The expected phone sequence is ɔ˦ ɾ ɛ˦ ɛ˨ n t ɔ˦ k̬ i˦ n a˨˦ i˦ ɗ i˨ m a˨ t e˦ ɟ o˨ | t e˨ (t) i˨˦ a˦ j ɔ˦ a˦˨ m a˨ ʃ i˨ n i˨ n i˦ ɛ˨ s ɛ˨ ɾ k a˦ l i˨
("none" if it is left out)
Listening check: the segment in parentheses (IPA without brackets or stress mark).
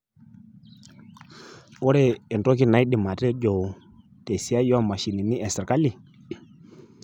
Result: s